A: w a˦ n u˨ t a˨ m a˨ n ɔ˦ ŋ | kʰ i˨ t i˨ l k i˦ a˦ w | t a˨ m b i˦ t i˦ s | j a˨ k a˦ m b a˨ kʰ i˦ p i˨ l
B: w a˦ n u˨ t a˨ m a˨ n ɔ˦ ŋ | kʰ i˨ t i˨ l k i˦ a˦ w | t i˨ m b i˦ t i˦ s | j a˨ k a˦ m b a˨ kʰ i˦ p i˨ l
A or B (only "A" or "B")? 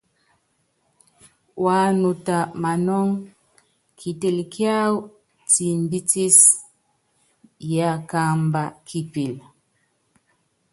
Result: B